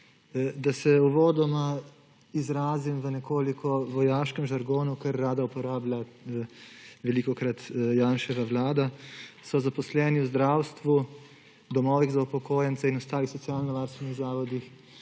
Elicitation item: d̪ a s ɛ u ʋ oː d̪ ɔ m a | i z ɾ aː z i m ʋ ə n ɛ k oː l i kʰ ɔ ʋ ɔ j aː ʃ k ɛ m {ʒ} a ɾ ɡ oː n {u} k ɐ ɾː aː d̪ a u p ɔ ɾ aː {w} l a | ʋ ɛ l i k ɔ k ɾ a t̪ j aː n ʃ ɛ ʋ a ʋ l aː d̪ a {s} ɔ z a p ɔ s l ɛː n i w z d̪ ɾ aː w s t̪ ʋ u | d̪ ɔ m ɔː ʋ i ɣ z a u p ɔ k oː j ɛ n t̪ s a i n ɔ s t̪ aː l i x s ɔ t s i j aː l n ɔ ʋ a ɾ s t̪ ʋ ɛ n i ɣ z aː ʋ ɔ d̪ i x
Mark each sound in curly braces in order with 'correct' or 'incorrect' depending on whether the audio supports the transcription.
correct, correct, incorrect: b, correct

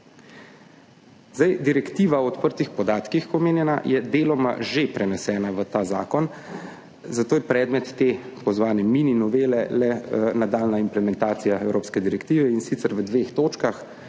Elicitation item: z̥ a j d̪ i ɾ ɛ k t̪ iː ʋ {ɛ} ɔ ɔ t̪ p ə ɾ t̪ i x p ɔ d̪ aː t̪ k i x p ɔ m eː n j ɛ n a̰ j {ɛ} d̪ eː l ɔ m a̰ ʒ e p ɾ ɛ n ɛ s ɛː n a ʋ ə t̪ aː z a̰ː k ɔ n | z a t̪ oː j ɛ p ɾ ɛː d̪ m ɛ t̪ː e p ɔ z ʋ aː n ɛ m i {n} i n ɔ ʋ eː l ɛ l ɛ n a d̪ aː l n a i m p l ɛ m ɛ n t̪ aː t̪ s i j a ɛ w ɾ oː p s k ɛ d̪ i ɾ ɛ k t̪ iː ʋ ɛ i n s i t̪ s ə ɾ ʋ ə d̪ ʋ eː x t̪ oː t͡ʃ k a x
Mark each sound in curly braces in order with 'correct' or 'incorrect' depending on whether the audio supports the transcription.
incorrect: a, correct, correct

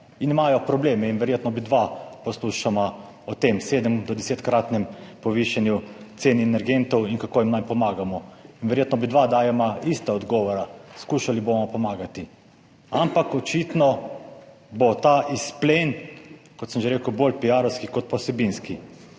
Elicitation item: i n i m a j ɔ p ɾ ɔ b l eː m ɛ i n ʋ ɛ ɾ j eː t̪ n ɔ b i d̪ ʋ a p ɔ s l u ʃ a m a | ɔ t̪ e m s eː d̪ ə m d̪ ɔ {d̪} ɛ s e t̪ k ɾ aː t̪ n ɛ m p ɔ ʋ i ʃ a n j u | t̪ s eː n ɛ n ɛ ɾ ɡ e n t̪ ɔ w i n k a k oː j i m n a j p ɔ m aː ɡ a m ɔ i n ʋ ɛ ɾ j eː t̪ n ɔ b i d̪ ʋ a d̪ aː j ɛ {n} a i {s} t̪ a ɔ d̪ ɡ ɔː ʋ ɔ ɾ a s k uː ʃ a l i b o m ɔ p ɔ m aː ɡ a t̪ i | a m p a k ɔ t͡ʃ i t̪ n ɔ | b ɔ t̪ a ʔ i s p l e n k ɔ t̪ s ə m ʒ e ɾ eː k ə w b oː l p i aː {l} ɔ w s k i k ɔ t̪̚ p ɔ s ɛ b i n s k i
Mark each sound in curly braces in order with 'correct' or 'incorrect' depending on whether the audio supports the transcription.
correct, incorrect: m, correct, incorrect: ɾ

